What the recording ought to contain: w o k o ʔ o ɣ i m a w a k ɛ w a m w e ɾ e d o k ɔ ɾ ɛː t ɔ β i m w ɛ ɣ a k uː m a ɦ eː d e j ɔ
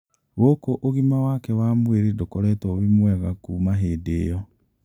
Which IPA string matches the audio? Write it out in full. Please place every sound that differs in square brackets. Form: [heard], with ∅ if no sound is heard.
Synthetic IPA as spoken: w o k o ʔ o ɣ i m a w a k ɛ w a m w e ɾ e d o k ɔ ɾ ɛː t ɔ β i m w ɛ ɣ a k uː m a ɦ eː d e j ɔ